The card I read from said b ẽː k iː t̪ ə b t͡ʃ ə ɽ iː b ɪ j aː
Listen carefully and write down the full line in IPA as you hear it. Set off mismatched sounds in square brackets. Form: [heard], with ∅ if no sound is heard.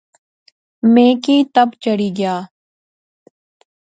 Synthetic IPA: [m] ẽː k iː t̪ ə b t͡ʃ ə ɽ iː [ɡ] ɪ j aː